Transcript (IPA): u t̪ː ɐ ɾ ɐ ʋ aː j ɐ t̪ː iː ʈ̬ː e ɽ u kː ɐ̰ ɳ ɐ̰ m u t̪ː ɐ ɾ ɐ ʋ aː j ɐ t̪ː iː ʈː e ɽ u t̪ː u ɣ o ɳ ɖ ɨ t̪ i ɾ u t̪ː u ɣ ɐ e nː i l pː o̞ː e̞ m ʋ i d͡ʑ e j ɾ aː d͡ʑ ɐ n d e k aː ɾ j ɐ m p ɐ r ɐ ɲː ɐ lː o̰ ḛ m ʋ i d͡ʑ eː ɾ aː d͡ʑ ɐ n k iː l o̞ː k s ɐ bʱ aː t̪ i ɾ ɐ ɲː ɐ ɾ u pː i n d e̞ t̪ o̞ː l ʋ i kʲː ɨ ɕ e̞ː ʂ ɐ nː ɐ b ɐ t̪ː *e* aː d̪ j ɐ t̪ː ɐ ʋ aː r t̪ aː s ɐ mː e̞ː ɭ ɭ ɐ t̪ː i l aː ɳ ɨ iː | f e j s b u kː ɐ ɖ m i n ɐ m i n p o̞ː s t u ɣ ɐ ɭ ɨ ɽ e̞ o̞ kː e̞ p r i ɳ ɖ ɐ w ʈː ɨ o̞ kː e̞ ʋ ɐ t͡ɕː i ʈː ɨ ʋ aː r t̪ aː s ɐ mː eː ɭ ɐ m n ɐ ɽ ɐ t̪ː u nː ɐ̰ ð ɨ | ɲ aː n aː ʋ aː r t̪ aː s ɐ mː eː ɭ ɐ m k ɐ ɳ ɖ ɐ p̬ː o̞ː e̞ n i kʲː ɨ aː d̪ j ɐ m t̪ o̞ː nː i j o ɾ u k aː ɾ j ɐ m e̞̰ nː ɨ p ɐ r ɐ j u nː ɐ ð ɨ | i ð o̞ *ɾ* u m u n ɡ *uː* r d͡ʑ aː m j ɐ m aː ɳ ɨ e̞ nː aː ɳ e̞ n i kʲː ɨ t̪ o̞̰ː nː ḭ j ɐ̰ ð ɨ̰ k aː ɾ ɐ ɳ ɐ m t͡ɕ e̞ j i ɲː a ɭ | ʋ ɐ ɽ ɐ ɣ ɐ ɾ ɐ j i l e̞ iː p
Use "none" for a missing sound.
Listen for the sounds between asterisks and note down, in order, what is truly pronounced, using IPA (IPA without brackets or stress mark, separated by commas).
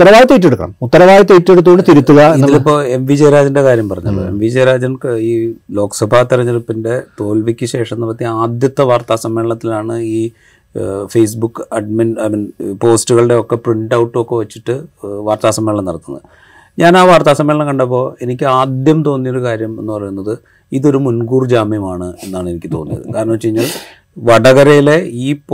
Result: i, ɾ, uː